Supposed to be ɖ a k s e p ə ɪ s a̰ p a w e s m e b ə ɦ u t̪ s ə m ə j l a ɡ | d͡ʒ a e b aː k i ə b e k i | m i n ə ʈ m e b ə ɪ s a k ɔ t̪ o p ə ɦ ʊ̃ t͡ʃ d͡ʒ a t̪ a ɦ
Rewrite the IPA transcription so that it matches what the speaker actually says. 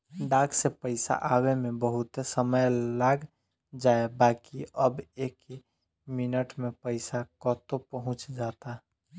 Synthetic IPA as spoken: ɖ a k s e p ə ɪ s a̰ ʔ a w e m e b ə ɦ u t̪ s ə m ə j l a ɡ | d͡ʒ a e b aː k i ə b e k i | m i n ə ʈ m e p ə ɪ s a k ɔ t̪ o p ə ɦ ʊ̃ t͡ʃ d͡ʒ a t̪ a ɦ